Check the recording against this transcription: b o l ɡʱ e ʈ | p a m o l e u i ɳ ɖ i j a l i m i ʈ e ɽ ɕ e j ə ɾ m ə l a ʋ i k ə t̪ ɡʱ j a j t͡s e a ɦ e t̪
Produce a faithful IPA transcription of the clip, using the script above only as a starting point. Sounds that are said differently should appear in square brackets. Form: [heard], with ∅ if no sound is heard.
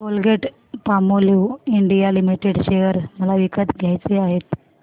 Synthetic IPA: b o l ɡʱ e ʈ | p a m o l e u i ɳ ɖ i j a l i m i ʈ e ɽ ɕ e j ə ɾ m ə l a ʋ i k ə t̪ ɡʱ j a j t͡s e a ɦ e t̪